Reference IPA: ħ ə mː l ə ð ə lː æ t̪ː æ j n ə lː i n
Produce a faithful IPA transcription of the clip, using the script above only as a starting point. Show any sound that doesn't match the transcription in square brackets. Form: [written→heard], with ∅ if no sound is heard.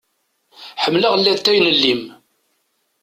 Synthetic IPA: ħ ə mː l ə [ð→ʁ] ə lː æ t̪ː æ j n ə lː i [n→m]